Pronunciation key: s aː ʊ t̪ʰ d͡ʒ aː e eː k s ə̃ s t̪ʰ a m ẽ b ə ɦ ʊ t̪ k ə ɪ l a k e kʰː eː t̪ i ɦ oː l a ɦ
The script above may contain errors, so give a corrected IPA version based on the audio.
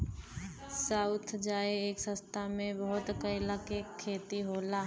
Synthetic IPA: s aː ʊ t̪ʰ d͡ʒ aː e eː k s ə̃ s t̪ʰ a m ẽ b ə ɦ ʊ t̪ k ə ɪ l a k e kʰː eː t̪ i ɦ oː l a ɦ